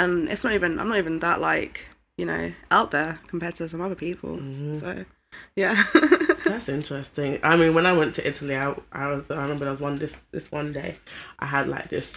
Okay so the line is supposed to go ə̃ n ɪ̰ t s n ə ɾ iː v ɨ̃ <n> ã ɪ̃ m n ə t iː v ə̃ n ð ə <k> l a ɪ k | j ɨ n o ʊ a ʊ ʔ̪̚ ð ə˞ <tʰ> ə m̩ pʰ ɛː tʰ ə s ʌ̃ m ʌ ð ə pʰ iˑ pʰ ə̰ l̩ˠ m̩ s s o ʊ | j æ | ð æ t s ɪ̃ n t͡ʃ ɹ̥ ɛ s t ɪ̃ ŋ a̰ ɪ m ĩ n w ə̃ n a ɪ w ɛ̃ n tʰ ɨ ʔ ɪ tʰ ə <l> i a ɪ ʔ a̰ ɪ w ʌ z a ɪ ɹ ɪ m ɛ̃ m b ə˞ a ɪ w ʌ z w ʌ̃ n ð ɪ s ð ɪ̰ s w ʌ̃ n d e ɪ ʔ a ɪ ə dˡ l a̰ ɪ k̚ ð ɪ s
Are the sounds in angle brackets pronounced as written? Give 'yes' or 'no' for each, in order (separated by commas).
yes, no, no, yes